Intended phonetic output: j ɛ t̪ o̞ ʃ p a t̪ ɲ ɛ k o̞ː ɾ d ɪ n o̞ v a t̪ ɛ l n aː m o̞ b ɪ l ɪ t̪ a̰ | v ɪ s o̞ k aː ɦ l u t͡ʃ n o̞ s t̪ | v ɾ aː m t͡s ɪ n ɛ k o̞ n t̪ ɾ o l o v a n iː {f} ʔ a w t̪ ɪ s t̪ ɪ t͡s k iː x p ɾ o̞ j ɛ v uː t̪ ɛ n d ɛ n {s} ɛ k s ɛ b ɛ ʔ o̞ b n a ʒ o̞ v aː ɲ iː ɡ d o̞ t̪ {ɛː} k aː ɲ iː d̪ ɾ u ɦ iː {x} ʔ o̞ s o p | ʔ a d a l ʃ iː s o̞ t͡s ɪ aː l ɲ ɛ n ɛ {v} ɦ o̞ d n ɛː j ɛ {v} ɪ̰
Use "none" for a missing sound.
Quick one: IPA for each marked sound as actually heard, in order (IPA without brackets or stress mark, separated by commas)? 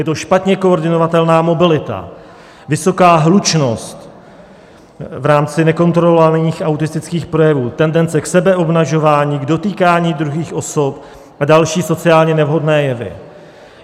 x, t͡s, iː, x, v, v